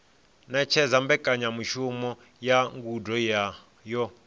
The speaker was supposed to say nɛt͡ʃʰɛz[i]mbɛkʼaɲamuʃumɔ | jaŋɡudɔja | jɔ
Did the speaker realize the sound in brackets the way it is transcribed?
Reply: no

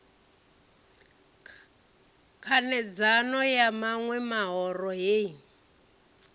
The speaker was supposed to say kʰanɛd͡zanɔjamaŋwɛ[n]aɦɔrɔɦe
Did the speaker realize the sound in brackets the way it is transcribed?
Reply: no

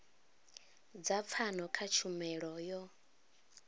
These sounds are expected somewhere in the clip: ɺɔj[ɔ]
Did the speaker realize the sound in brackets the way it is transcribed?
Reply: yes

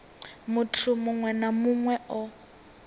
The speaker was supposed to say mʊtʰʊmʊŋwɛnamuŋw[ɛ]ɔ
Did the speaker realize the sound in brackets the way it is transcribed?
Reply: yes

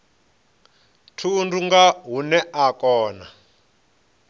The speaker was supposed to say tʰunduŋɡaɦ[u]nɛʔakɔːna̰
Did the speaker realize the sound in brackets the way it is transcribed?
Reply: yes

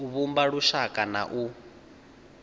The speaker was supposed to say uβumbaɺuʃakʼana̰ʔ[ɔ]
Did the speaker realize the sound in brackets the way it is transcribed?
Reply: no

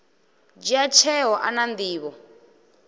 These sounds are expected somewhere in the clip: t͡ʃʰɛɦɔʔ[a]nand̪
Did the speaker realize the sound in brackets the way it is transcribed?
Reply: yes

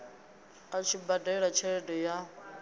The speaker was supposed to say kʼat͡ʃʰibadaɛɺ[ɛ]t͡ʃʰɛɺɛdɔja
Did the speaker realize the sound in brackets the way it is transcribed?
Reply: no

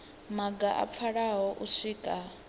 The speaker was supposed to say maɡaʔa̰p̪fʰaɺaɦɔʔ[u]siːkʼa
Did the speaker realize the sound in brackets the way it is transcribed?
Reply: yes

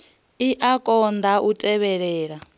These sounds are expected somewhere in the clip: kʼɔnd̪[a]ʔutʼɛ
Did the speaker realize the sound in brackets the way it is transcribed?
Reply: yes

